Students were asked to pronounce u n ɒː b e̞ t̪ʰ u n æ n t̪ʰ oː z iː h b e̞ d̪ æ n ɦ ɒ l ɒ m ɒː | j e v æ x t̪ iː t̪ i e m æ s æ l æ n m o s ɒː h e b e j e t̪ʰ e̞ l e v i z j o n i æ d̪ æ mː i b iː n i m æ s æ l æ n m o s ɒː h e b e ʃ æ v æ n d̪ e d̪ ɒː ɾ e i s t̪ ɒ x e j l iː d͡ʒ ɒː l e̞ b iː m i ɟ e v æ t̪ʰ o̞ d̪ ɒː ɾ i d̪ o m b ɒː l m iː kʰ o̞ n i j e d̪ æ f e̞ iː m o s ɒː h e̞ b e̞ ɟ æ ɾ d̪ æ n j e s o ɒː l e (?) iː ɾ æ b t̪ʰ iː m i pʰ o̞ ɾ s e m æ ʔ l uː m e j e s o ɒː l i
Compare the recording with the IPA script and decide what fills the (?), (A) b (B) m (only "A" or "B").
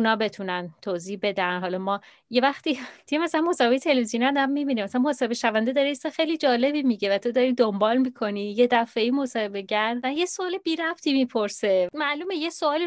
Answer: A